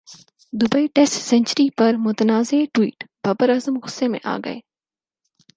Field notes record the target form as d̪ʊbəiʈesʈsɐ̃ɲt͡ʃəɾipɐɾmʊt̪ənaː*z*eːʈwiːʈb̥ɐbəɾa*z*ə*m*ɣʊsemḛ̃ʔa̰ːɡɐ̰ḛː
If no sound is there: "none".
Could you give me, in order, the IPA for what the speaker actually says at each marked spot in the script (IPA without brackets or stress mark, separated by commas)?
z, z, m